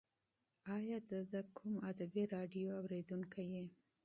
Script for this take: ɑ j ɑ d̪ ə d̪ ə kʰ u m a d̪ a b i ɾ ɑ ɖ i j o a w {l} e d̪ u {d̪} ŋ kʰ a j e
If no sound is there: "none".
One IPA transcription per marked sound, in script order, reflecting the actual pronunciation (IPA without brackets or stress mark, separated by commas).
ɾ, none